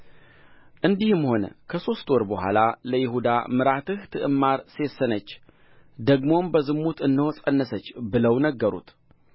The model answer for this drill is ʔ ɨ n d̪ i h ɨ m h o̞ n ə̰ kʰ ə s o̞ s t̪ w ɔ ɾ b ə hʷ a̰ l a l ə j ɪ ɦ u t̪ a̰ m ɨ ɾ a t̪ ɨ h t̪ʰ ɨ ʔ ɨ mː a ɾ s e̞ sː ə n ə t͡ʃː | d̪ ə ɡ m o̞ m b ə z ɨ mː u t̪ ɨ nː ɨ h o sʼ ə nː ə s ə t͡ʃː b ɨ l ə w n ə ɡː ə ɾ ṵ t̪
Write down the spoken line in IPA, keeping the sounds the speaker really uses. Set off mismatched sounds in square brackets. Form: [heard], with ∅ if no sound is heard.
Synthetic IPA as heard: ʔ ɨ n d̪ i h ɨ m h o̞ n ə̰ kʰ ə s o̞ s t̪ w ɔ ɾ b ə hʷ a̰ l a l ə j ɪ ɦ u [d̪] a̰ m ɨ ɾ a t̪ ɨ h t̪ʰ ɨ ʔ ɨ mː a ɾ s e̞ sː ə n ə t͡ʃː | d̪ ə ɡ m o̞ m b ə z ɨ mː u t̪ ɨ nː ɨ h o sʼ ə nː ə s ə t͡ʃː b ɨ l ə w n ə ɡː ə ɾ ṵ t̪